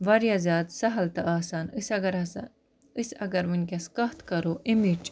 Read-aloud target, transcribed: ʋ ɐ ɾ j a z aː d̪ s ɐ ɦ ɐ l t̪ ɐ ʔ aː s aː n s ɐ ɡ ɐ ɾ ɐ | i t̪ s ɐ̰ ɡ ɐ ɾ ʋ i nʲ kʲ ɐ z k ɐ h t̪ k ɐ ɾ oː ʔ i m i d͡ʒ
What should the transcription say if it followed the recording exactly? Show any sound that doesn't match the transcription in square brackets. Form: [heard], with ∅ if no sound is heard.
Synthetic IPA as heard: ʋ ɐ ɾ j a z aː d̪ s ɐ ɦ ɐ l t̪ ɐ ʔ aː s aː n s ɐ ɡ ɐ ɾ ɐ | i [∅] s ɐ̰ ɡ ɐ ɾ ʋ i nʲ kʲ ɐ [s] k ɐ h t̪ k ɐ ɾ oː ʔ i m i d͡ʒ

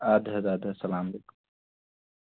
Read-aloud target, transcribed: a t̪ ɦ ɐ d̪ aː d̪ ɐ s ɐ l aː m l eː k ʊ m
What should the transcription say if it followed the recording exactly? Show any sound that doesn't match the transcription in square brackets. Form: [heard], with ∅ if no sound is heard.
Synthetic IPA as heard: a [d̪] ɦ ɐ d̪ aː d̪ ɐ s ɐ l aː m l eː k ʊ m

